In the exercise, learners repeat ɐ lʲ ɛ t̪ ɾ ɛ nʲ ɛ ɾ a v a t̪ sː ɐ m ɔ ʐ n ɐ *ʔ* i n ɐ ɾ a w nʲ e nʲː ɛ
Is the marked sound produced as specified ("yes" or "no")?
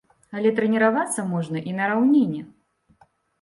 yes